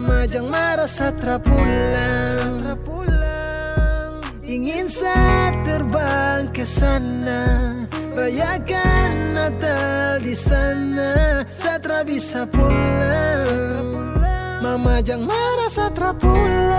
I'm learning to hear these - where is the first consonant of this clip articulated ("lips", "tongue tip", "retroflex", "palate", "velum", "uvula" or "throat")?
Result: lips